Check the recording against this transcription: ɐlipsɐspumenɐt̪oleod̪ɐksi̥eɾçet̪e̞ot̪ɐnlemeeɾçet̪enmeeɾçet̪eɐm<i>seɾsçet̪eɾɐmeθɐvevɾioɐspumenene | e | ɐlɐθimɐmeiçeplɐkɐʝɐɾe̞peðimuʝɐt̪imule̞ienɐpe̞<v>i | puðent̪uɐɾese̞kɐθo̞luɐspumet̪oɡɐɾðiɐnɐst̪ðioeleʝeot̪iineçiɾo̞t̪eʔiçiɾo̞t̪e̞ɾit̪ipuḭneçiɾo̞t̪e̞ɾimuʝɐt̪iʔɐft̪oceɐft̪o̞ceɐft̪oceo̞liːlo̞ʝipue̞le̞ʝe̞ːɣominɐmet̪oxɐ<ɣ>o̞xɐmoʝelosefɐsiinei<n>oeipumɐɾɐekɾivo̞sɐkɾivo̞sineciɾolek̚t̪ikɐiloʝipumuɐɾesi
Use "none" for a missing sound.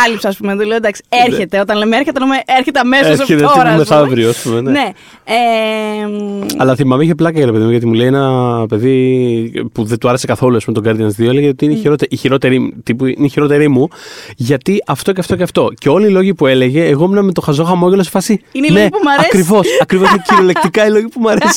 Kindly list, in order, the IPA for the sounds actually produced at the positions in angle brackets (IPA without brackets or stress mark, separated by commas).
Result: e, ð, z, n